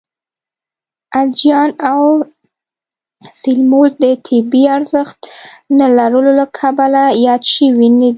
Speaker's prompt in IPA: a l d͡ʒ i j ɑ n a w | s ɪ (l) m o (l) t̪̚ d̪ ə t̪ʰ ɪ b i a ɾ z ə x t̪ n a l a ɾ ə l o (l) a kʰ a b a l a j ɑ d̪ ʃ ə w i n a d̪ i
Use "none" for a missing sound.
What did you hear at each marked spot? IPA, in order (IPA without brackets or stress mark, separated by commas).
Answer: l, l, l